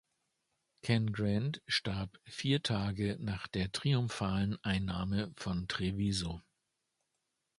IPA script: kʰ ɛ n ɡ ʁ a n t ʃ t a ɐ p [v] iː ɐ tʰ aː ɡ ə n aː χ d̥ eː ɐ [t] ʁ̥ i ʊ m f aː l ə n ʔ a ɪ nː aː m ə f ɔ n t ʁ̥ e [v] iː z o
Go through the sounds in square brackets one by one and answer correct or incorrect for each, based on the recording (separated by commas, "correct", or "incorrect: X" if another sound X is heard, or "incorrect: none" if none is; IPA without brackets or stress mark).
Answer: incorrect: f, correct, correct